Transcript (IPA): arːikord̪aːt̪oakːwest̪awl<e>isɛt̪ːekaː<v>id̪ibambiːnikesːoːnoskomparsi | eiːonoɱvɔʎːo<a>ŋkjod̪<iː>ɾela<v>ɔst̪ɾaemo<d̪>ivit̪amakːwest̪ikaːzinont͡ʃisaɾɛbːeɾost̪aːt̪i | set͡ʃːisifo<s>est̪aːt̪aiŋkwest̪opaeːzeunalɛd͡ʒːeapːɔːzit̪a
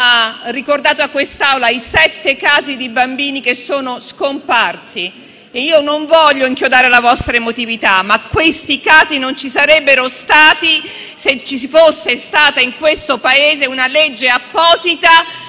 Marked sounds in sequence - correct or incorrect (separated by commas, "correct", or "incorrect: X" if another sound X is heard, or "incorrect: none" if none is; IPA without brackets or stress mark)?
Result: incorrect: a, incorrect: z, incorrect: i, incorrect: aː, correct, incorrect: t̪, incorrect: sː